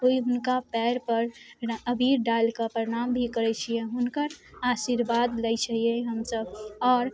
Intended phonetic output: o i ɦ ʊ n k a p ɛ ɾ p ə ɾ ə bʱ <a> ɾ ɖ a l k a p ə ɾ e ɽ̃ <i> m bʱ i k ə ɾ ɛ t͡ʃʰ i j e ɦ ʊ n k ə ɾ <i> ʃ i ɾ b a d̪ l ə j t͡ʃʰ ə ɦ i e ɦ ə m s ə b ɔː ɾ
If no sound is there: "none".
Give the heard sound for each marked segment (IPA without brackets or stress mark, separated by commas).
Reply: i, a, a